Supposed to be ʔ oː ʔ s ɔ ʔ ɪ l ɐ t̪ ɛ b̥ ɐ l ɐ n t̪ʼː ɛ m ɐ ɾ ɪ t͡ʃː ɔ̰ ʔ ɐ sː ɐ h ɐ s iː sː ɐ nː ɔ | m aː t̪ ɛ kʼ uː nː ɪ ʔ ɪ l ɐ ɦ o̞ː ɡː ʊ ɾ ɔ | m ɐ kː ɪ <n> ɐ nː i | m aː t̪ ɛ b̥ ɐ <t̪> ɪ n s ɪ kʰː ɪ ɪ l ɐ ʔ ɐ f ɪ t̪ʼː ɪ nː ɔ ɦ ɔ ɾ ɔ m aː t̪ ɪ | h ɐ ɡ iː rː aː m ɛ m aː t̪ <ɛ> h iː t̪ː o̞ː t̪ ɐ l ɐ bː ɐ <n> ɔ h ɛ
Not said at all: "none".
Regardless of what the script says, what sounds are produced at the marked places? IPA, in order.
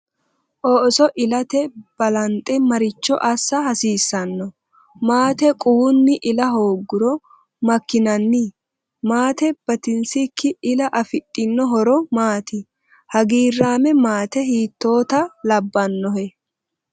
n, t̪, ɛ, nː

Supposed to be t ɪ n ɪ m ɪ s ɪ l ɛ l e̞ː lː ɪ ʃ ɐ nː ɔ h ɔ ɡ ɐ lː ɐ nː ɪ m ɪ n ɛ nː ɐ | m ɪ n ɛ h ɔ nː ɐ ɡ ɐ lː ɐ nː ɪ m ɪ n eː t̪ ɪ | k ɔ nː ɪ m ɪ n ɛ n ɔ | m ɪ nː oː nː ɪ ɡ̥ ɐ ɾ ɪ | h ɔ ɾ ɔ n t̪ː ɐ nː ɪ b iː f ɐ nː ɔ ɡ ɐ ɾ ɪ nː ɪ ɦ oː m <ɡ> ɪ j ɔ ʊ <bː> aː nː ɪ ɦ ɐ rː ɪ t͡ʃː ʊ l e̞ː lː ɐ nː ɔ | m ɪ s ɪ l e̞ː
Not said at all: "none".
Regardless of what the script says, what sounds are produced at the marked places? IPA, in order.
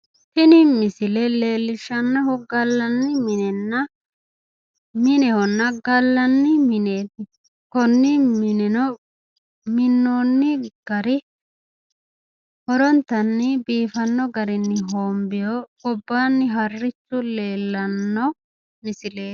b, bː

